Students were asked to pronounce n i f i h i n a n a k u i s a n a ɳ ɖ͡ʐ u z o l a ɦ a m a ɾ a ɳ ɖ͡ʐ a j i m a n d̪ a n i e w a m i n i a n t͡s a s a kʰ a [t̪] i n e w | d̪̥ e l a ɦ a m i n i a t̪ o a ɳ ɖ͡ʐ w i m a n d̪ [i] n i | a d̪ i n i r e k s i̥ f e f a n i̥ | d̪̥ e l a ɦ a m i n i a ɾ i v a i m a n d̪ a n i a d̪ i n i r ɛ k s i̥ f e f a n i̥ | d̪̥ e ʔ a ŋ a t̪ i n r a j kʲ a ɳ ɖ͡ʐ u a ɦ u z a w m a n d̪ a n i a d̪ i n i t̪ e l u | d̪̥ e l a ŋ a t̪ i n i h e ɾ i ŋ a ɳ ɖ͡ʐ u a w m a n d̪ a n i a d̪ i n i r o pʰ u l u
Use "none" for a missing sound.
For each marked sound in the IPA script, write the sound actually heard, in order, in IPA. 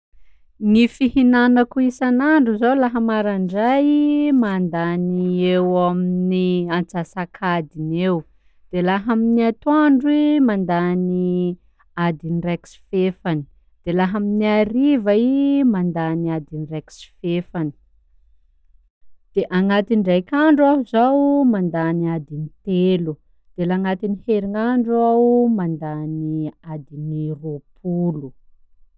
d̪, a

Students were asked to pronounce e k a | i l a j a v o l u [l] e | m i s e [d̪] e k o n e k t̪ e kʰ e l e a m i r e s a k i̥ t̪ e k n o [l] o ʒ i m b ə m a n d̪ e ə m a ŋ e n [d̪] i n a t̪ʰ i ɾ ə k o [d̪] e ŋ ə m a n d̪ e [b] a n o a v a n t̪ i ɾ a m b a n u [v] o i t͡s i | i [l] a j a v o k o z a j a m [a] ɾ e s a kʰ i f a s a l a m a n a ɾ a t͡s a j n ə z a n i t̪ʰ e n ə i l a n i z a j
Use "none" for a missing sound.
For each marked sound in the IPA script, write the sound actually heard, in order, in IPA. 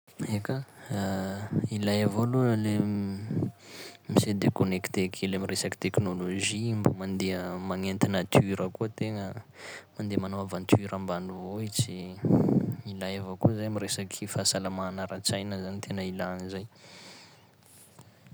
l, d̪, l, t̪, t̪, m, v, l, i

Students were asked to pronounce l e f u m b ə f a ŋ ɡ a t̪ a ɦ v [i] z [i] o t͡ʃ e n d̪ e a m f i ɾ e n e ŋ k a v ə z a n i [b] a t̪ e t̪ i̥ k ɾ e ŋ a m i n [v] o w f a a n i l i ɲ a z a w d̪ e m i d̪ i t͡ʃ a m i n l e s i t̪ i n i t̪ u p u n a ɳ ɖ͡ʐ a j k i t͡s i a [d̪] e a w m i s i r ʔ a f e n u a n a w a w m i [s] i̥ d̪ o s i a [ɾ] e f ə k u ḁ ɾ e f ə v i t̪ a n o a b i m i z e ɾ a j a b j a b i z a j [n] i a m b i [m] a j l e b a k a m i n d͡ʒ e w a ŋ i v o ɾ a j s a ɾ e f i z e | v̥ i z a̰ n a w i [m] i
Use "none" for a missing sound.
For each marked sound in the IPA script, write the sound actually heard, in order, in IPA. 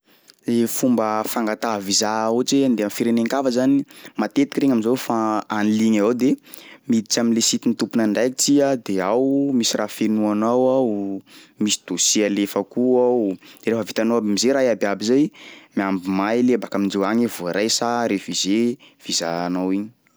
i, a, m, z, d̪, s, l, m, m, ɲ

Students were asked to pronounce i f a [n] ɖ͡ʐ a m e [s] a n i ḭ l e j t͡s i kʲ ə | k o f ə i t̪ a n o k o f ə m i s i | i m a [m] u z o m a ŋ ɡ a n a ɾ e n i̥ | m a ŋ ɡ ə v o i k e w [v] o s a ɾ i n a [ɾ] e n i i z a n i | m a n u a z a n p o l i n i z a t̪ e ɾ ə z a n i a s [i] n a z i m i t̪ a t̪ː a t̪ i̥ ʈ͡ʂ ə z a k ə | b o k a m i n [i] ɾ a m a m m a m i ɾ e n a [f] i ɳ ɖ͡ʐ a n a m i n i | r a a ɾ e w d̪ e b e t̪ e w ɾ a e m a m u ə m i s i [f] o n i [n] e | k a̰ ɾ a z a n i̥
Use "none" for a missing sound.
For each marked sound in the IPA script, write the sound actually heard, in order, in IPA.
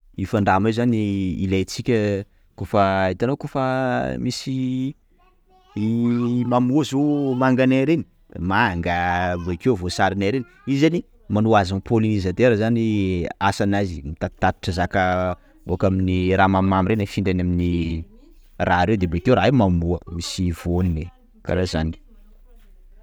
ɳ, z, m, v, ɾ, a, i, f, v, n

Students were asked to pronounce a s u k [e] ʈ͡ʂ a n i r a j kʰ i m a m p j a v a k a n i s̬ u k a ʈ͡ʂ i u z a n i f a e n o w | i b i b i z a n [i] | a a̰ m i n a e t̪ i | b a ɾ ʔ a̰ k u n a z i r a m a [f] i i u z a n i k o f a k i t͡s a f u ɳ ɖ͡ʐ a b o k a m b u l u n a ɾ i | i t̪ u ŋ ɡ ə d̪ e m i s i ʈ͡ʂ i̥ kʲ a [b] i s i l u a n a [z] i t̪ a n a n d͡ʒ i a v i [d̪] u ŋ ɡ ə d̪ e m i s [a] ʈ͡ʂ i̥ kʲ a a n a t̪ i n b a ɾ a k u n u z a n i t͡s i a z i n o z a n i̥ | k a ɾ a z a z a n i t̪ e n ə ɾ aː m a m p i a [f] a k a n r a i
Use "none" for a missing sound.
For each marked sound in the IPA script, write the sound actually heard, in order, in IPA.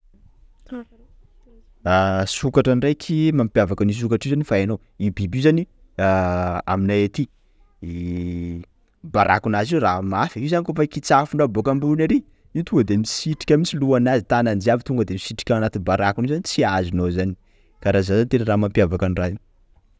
a, i, f, m, z, t̪, i, v

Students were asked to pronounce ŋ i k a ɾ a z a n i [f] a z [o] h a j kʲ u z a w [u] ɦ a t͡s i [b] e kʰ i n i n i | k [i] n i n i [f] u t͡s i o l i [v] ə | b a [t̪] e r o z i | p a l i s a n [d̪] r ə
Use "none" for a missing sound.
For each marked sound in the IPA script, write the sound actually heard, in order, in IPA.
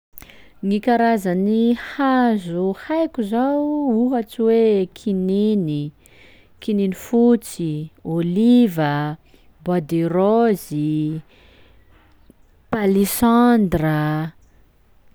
h, u, u, w, i, f, v, d̪, d̪

